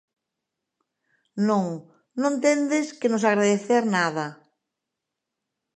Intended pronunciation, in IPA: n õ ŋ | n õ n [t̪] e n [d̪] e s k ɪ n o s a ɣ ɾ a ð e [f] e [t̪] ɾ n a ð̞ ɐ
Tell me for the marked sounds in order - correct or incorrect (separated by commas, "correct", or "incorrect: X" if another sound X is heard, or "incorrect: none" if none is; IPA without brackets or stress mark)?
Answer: correct, correct, incorrect: θ, incorrect: none